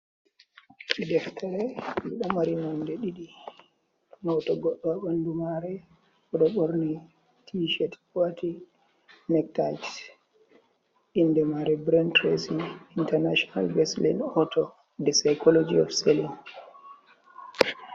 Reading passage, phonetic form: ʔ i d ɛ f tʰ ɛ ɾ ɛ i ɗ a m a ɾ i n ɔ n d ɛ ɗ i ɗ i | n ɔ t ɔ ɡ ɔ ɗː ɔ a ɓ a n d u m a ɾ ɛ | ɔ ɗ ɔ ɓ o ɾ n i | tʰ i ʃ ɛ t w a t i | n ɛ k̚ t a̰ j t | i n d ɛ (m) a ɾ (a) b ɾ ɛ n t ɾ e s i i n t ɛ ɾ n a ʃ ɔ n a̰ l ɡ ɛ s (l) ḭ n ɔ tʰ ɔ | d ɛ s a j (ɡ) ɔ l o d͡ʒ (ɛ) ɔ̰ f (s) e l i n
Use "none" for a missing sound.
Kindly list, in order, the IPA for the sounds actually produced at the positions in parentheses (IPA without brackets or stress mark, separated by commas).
m, ɛ, l, k, i, s